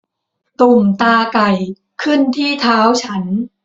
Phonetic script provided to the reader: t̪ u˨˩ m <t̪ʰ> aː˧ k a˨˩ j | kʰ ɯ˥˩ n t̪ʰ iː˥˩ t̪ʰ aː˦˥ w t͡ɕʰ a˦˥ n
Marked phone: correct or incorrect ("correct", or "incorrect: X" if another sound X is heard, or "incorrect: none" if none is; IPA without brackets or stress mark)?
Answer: incorrect: t̪